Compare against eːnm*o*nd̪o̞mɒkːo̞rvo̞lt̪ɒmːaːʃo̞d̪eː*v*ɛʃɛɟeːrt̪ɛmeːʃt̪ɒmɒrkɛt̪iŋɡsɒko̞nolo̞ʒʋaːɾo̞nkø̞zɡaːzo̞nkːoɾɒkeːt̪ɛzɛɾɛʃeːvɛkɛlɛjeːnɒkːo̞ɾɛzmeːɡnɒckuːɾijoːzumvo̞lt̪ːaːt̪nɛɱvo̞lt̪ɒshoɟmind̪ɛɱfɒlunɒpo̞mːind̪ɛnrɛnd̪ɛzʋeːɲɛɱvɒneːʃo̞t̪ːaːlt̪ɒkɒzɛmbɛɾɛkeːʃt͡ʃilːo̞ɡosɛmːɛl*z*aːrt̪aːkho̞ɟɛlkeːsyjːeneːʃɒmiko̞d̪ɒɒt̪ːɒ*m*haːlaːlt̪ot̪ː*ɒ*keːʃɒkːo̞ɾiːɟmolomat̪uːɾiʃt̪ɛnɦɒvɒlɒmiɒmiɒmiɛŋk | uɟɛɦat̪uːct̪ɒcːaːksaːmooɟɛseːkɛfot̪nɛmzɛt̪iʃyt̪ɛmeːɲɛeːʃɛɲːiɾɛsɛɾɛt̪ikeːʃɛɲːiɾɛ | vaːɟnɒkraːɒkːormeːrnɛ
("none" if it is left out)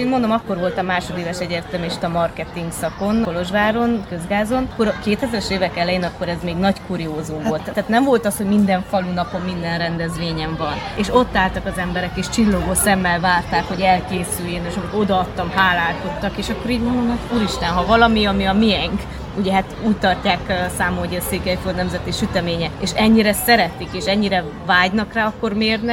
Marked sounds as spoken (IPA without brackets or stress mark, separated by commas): o, v, v, m, ɒ